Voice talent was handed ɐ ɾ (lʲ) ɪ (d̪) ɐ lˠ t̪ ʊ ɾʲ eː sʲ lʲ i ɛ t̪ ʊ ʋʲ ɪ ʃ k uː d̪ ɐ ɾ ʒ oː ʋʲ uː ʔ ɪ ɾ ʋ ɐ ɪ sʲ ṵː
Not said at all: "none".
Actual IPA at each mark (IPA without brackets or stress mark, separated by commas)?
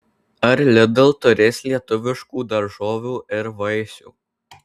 lʲ, d̪